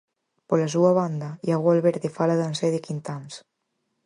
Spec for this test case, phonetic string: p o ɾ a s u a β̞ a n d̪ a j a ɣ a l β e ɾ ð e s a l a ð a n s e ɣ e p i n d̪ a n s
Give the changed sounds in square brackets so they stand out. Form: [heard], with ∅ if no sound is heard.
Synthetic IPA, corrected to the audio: p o [l] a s u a β̞ a n d̪ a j a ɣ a l β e ɾ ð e [f] a l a ð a n s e [ð] e [k] i n [t̪] a n s